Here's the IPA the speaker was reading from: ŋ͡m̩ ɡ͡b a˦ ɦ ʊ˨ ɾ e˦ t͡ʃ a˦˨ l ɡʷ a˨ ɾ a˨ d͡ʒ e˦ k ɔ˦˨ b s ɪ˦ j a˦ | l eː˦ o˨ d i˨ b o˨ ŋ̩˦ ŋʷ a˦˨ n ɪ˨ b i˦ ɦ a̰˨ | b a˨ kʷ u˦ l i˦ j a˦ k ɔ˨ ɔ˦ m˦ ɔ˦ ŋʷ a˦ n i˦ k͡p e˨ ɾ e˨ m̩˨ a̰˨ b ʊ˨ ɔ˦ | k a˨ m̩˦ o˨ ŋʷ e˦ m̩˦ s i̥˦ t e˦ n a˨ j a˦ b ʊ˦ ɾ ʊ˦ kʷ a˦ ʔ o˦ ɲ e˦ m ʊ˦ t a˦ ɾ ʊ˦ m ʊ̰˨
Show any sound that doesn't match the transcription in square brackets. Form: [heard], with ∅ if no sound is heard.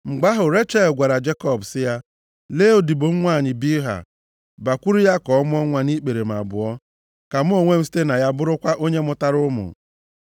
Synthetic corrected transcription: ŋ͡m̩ ɡ͡b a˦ ɦ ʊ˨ ɾ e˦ t͡ʃ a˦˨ l ɡʷ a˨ ɾ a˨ d͡ʒ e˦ k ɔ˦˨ b s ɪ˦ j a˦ | l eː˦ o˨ d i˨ b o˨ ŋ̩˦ ŋʷ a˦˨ [ɲ] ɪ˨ b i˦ ɦ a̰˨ | b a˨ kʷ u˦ [ɾ] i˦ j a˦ k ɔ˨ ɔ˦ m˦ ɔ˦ ŋʷ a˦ n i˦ k͡p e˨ ɾ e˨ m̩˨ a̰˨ b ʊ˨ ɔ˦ | k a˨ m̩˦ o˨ ŋʷ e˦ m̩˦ s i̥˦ t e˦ n a˨ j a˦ b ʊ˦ ɾ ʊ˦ kʷ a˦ ʔ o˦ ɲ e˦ m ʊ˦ t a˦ ɾ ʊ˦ m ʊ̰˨